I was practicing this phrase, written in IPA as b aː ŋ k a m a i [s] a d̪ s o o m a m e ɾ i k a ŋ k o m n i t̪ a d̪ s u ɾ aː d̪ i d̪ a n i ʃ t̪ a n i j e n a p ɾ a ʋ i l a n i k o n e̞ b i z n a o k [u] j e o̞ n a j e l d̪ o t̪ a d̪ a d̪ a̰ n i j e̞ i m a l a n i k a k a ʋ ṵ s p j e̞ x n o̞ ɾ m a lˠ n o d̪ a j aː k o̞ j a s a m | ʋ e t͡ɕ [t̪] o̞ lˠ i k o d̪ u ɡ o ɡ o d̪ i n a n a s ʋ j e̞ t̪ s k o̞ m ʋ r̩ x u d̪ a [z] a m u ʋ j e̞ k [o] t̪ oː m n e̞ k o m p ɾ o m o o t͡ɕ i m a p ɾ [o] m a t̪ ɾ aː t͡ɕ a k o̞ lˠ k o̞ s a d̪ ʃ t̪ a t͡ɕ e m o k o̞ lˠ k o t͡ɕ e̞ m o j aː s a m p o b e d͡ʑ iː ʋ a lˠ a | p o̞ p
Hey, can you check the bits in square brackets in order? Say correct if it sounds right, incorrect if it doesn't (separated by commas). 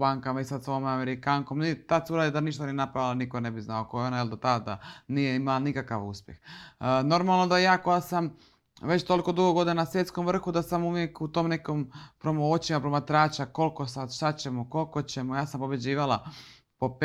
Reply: correct, incorrect, correct, incorrect, incorrect, correct